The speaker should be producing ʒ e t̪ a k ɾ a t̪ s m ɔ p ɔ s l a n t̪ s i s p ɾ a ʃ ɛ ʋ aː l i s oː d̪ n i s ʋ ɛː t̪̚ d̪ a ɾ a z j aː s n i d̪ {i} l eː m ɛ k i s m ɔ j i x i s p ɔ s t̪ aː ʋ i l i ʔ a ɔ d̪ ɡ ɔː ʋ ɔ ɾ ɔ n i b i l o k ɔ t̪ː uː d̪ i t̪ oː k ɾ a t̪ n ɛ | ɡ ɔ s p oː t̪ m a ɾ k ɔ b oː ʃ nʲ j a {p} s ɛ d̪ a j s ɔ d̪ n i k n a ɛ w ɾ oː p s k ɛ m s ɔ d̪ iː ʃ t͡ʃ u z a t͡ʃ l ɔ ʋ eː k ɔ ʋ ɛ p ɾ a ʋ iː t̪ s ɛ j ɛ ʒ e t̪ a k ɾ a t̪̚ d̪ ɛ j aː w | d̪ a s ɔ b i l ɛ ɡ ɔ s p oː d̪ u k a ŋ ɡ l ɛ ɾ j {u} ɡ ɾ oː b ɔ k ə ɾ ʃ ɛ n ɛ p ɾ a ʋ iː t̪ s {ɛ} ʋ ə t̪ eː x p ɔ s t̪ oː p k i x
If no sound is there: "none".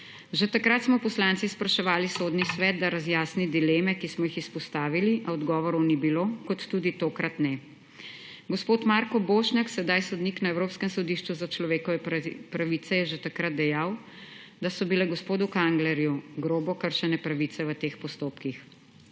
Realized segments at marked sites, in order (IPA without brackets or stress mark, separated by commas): i, k, u, ɛ